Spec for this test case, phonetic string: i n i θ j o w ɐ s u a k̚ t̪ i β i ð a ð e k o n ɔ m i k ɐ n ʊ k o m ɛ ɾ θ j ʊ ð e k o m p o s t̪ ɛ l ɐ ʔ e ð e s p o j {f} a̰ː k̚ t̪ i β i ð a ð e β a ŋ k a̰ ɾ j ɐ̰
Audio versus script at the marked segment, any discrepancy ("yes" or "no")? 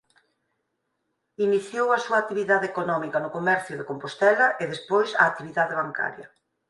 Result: yes